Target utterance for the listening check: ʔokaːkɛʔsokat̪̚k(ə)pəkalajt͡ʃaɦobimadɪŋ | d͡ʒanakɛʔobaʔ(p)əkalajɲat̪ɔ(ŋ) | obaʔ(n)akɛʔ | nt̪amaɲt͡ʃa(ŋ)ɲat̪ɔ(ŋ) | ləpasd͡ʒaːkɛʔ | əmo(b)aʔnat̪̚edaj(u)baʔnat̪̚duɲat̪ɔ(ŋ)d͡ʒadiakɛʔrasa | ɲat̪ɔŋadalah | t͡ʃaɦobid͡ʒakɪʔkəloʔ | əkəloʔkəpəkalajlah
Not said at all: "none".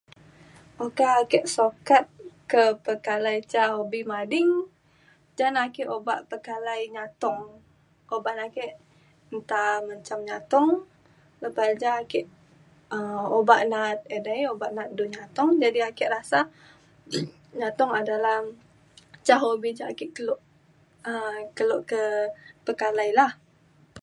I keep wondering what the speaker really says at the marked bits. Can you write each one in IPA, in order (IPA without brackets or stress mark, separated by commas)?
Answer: ə, p, ŋ, n, m, ŋ, b, o, ŋ